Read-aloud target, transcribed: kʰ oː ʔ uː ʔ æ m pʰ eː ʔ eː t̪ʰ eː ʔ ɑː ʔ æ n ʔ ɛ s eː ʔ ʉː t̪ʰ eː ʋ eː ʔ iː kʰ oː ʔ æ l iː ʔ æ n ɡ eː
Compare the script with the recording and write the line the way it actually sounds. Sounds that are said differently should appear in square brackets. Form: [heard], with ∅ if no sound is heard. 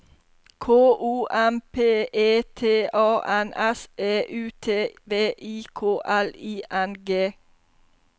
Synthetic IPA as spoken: kʰ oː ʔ uː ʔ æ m pʰ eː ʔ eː t̪ʰ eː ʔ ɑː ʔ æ n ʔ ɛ s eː ʔ ʉː t̪ʰ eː ʋ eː ʔ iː kʰ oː ʔ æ l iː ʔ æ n ɡ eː